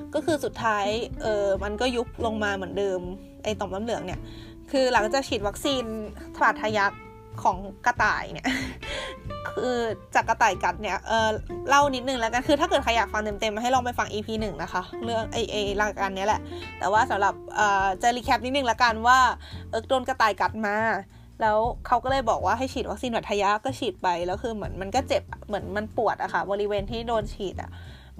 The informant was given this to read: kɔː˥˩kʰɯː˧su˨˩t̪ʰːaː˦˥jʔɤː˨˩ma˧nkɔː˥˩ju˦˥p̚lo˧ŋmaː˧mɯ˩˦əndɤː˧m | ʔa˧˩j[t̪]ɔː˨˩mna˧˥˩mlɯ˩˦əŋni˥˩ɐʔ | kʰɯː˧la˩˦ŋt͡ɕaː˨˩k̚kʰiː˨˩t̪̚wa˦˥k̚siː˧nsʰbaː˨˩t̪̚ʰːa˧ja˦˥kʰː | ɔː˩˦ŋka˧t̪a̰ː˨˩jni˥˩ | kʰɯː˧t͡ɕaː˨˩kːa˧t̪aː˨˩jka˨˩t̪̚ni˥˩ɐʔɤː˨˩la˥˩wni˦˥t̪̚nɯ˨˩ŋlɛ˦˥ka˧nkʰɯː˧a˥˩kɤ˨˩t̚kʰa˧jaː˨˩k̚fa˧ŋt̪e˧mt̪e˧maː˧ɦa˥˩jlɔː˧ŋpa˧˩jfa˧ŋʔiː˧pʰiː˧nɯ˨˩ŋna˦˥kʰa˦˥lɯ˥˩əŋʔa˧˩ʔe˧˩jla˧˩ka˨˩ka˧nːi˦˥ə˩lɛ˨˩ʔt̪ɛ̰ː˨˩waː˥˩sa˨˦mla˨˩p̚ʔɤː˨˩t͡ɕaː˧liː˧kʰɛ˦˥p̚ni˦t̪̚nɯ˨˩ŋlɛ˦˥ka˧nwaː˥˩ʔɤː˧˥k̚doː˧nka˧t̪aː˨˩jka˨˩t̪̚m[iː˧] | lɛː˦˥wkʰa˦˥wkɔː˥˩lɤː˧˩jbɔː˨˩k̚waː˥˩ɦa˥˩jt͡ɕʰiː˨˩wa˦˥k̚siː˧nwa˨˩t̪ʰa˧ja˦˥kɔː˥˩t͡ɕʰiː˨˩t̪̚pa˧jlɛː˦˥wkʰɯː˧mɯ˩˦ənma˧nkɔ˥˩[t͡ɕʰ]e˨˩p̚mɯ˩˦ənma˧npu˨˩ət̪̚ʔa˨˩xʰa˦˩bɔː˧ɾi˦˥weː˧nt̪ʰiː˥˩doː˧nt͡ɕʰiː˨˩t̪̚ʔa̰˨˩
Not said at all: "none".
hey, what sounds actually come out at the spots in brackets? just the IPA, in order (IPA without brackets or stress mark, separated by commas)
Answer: t̪, aː˧, t͡ɕ